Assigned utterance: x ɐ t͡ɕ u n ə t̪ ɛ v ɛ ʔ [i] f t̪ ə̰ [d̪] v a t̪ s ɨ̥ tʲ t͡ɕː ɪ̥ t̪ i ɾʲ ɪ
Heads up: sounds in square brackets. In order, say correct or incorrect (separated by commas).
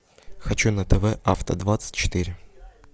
incorrect, correct